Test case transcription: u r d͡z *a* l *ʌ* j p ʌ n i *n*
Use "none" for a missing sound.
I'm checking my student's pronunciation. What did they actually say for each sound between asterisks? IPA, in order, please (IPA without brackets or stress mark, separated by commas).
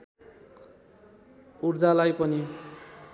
a, a, none